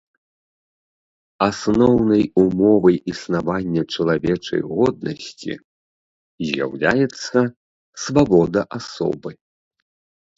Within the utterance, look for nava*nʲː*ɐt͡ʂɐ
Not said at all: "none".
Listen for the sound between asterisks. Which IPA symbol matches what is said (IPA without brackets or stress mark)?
nʲː